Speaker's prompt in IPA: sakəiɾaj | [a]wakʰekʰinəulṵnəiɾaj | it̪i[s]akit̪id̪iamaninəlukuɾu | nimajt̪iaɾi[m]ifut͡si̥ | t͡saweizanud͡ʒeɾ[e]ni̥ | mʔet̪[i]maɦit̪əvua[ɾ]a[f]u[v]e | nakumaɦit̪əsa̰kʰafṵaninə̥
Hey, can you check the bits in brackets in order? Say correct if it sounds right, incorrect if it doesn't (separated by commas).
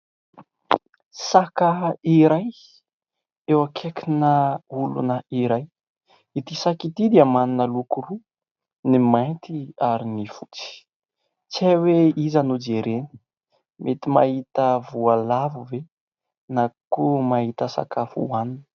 incorrect, correct, incorrect, correct, correct, incorrect, incorrect, correct